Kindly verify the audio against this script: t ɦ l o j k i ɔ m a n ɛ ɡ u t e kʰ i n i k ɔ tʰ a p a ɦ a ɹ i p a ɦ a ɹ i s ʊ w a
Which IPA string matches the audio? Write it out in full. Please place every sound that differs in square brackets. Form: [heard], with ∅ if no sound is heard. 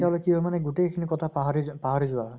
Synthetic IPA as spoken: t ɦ l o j k i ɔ m a n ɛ ɡ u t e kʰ i n i k ɔ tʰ a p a ɦ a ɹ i p a ɦ a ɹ i [z] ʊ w a